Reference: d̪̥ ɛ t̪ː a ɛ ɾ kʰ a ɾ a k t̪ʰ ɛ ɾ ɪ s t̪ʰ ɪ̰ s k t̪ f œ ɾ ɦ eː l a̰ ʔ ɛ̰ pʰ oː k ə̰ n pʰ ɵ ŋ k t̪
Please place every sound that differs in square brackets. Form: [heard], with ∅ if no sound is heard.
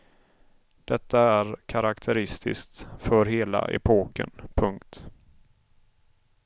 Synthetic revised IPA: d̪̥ ɛ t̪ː a [æ] ɾ kʰ a ɾ a k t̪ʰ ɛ ɾ ɪ s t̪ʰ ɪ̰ s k t̪ f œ ɾ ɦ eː l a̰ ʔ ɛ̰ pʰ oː k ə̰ n pʰ ɵ ŋ k t̪